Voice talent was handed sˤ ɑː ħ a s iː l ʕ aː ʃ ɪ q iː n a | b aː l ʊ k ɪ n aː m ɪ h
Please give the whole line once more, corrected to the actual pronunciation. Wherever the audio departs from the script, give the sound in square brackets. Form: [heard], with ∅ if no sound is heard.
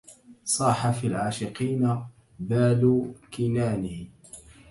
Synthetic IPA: sˤ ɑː ħ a [f] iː l ʕ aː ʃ ɪ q iː n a | b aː l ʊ k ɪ n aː [n] ɪ h